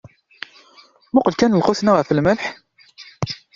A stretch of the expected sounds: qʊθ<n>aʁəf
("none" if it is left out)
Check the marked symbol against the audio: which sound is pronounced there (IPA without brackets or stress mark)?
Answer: n